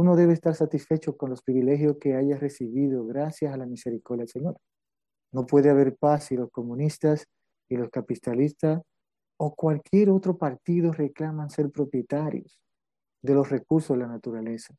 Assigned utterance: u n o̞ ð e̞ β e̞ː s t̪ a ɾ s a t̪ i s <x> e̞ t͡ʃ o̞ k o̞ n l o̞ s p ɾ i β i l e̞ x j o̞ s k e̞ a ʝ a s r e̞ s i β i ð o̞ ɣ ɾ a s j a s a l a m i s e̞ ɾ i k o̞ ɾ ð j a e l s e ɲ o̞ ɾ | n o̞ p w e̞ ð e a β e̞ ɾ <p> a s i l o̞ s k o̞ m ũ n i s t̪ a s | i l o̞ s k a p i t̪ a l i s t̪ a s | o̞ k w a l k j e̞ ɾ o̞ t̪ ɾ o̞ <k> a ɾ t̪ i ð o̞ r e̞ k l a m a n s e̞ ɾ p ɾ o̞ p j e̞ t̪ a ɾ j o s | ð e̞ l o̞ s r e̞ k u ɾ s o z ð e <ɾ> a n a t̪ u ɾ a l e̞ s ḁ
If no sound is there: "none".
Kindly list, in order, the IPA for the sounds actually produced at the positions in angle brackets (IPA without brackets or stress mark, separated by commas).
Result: f, p, p, l